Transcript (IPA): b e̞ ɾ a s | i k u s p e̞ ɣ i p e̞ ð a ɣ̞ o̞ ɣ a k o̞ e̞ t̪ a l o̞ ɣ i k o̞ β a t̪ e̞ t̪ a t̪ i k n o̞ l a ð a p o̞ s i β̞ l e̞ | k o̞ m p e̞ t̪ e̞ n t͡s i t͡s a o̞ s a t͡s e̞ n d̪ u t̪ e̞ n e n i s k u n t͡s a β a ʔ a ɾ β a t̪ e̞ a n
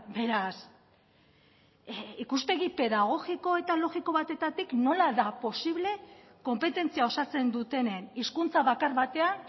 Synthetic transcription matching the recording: b e̞ ɾ a s | i k u s p e̞ ɣ i p e̞ ð a ɣ̞ o̞ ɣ i k o̞ e̞ t̪ a l o̞ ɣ i k o̞ β a t̪ e̞ t̪ a t̪ i k n o̞ l a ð a p o̞ s i β̞ l e̞ | k o̞ m p e̞ t̪ e̞ n t͡s i a o̞ s a t͡s e̞ n d̪ u t̪ e̞ n e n i s k u n t͡s a β a k a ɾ β a t̪ e̞ a n

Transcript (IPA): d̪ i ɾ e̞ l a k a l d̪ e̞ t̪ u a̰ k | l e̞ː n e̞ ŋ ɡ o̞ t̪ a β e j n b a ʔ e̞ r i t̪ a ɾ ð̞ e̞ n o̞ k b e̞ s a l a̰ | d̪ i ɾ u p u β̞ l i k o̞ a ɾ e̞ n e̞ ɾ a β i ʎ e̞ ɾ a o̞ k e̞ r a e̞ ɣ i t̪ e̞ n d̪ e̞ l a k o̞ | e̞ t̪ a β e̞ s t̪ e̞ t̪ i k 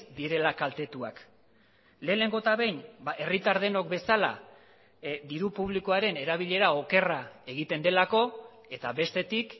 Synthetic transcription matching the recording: d̪ i ɾ e̞ l a k a l t̪ e̞ t̪ u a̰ k | l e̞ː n e̞ ŋ ɡ o̞ t̪ a β e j n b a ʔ e̞ r i t̪ a ɾ ð̞ e̞ n o̞ k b e̞ s a l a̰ | d̪ i ɾ u p u β̞ l i k o̞ a ɾ e̞ n e̞ ɾ a β i ʎ e̞ ɾ a o̞ k e̞ r a e̞ ɣ i t̪ e̞ n d̪ e̞ l a k o̞ | e̞ t̪ a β e̞ s t̪ e̞ t̪ i k

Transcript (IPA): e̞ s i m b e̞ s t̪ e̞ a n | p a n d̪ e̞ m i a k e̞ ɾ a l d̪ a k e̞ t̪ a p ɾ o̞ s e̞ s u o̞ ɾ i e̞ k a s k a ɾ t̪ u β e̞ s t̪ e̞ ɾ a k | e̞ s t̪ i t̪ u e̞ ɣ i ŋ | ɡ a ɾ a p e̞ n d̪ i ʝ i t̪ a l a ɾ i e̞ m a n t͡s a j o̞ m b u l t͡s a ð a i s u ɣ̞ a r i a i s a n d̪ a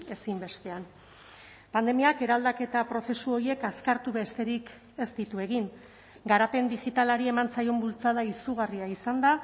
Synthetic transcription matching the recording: e̞ s i m b e̞ s t̪ e̞ a n | p a n d̪ e̞ m i a k e̞ ɾ a l d̪ a k e̞ t̪ a p ɾ o̞ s e̞ s u o̞ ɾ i e̞ k a s k a ɾ t̪ u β e̞ s t̪ e̞ ɾ i k | e̞ s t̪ i t̪ u e̞ ɣ i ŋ | ɡ a ɾ a p e̞ n d̪ i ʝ i t̪ a l a ɾ i e̞ m a n t͡s a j o̞ m b u l t͡s a ð a i s u ɣ̞ a r i a i s a n d̪ a

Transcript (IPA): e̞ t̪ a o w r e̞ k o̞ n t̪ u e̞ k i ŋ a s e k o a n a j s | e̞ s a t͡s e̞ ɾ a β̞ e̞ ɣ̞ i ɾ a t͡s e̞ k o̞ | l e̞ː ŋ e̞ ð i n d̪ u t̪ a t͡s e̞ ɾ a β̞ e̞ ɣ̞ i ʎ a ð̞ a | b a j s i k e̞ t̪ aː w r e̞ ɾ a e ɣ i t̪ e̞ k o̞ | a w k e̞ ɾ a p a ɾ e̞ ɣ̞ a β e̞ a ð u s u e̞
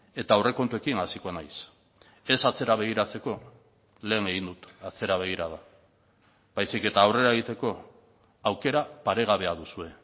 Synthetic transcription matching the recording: e̞ t̪ a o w r e̞ k o̞ n t̪ u e̞ k i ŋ a s i k o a n a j s | e̞ s a t͡s e̞ ɾ a β̞ e̞ ɣ̞ i ɾ a t͡s e̞ k o̞ | l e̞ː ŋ e̞ ɣ i n d̪ u t̪ a t͡s e̞ ɾ a β̞ e̞ ɣ̞ i ɾ a ð̞ a | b a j s i k e̞ t̪ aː w r e̞ ɾ a e ɣ i t̪ e̞ k o̞ | a w k e̞ ɾ a p a ɾ e̞ ɣ̞ a β e̞ a ð u s u e̞

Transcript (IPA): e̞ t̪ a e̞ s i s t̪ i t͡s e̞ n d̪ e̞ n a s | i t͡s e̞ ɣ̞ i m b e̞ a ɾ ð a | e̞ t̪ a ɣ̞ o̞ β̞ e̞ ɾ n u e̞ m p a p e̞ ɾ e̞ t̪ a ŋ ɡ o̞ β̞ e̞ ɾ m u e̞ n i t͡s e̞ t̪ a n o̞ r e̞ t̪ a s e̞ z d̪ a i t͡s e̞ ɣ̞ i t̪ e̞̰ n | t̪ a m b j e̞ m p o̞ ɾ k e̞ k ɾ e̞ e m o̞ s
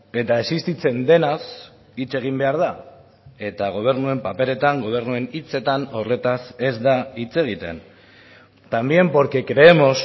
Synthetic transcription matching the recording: e̞ t̪ a e̞ s i s t̪ i t͡s e̞ n d̪ e̞ n a s | i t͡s e̞ ɣ̞ i m b e̞ a ɾ ð a | e̞ t̪ a ɣ̞ o̞ β̞ e̞ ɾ n u e̞ m p a p e̞ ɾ e̞ t̪ a ŋ ɡ o̞ β̞ e̞ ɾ n u e̞ n i t͡s e̞ t̪ a n o̞ r e̞ t̪ a s e̞ z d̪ a i t͡s e̞ ɣ̞ i t̪ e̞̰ n | t̪ a m b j e̞ m p o̞ ɾ k e̞ k ɾ e̞ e m o̞ s

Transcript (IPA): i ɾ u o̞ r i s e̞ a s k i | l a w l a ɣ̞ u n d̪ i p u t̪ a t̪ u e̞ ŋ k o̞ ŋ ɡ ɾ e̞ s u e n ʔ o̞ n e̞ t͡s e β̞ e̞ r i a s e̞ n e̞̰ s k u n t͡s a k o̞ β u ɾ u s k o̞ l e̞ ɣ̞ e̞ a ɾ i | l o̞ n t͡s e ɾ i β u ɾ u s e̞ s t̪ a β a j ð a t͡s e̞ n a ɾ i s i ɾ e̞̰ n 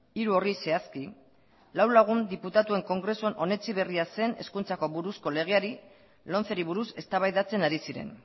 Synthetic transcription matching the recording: i ɾ u o̞ r i s e̞ a s k i | l a w l a ɣ̞ u n d̪ i p u t̪ a t̪ u e̞ ŋ k o̞ ŋ ɡ ɾ e̞ s u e n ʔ o̞ n e̞ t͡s i β̞ e̞ r i a s e̞ n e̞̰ s k u n t͡s a k o̞ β u ɾ u s k o̞ l e̞ ɣ̞ e̞ a ɾ i | l o̞ n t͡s e ɾ i β u ɾ u s e̞ s t̪ a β a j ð a t͡s e̞ n a ɾ i s i ɾ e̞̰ n

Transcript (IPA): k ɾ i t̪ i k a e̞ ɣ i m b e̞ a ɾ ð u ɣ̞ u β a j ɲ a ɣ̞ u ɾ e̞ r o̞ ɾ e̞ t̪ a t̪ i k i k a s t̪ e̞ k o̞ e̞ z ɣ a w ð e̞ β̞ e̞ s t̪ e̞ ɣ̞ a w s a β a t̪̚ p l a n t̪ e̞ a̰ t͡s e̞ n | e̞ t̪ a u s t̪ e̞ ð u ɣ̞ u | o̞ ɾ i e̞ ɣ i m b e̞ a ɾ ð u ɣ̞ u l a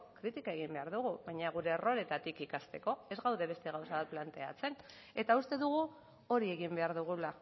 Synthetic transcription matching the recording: k ɾ i t̪ i k a e̞ ɣ i m b e̞ a ɾ ð u ɣ̞ u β a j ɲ a ɣ̞ u ɾ e̞ r o̞ ɾ e̞ t̪ a t̪ i k i k a s t̪ e̞ k o̞ e̞ z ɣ a w ð e̞ β̞ e̞ s t̪ e̞ ɣ̞ a w s a β a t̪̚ p l a n t̪ e̞ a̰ t͡s e̞ n | e̞ t̪ a u s t̪ e̞ ð u ɣ̞ u | o̞ ɾ i e̞ ɣ i m b e̞ a ɾ ð u ɣ̞ u l a

